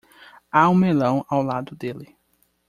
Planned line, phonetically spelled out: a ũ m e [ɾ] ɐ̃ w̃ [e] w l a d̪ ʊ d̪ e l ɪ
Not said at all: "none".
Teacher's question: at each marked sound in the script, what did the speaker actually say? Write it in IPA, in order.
l, a

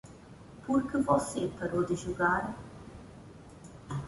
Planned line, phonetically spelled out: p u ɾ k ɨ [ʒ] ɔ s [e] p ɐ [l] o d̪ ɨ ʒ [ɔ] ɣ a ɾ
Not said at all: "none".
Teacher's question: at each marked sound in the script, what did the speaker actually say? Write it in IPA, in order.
v, e, ɾ, u

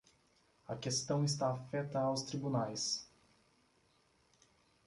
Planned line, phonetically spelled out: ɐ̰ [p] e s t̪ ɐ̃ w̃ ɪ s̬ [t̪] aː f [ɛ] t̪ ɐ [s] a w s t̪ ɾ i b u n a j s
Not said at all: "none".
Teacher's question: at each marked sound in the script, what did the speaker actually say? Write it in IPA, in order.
k, t̪, ɛ, none

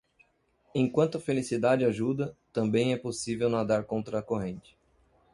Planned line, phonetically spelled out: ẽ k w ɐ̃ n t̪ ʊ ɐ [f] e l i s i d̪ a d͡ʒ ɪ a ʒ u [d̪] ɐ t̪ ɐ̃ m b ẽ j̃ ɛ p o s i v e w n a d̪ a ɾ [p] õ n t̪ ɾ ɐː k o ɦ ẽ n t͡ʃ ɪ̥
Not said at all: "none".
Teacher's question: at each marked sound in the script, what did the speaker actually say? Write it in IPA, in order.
f, d̪, k

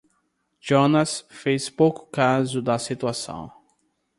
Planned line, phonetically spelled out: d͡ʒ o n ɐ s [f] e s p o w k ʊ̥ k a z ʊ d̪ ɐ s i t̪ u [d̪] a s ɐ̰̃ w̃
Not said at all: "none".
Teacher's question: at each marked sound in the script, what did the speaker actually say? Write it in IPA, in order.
f, none

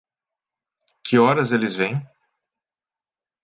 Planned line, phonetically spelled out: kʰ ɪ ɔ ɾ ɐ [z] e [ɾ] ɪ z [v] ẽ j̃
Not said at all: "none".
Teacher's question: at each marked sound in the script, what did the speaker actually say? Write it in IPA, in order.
z, l, v

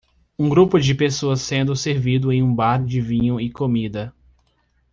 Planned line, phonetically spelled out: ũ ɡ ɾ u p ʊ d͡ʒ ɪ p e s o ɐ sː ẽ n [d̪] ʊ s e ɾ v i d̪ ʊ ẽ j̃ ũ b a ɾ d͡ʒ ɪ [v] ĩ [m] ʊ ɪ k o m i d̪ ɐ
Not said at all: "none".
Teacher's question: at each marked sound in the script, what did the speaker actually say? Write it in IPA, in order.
d̪, v, ɲ

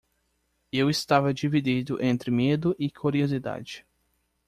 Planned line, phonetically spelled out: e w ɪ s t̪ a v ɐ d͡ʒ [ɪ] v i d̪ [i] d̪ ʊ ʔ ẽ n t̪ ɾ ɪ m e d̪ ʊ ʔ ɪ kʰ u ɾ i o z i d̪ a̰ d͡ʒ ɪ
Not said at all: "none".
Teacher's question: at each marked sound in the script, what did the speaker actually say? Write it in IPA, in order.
i, i

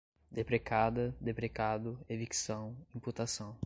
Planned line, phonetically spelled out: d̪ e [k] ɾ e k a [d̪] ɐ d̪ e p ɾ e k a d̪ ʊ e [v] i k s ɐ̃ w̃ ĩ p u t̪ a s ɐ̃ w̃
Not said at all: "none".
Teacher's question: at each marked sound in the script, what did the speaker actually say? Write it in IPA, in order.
p, d̪, v

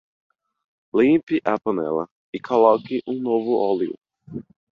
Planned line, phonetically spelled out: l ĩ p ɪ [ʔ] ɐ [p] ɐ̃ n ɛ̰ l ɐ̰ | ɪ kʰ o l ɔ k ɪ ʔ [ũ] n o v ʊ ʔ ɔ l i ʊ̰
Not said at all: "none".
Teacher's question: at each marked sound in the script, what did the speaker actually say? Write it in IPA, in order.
ʔ, p, ũ

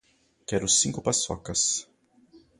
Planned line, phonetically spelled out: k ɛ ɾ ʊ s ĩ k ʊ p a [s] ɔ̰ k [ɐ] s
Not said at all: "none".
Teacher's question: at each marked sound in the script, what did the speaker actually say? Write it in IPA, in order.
s, ɐ

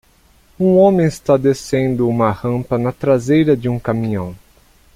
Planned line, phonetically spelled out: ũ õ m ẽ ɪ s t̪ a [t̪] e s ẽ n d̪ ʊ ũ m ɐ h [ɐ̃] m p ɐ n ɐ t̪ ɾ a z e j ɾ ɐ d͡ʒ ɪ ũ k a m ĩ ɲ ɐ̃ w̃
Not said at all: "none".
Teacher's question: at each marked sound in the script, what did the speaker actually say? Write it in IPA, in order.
d̪, ɐ̃

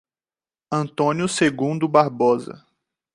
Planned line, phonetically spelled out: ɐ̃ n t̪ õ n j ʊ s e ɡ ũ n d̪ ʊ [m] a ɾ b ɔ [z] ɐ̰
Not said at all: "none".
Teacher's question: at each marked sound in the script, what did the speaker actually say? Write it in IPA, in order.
b, z

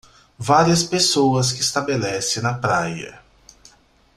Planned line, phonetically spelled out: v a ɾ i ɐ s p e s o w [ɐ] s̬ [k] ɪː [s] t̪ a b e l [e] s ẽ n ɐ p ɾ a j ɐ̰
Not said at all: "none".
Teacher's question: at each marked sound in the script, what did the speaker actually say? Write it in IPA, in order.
ɐ, k, s, ɛ

